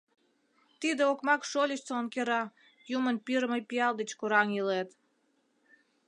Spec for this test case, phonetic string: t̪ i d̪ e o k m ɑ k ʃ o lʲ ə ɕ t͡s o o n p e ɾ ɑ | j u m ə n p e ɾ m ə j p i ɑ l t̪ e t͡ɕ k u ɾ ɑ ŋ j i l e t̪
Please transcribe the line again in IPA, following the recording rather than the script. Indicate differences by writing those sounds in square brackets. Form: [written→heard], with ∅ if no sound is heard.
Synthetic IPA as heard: t̪ i d̪ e o k m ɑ k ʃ o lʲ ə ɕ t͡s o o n [p→k] e ɾ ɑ | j u m ə n p [e→i] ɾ m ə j p i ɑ l [t̪→d̪] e t͡ɕ k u ɾ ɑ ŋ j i l e t̪